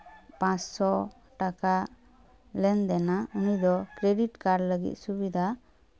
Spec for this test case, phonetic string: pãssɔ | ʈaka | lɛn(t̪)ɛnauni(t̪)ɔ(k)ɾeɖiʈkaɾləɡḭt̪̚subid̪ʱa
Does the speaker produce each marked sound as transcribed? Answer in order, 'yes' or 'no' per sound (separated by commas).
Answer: no, no, yes